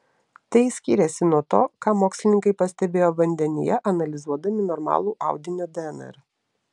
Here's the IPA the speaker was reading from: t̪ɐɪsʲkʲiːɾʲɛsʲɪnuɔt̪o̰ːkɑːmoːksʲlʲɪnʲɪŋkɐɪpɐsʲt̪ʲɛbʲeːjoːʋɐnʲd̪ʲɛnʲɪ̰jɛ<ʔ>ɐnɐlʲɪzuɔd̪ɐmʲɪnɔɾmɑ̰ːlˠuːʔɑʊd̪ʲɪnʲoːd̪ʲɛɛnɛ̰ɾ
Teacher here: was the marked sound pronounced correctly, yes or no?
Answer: yes